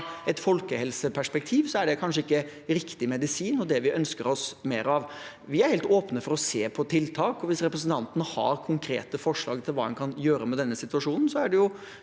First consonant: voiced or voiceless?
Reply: voiceless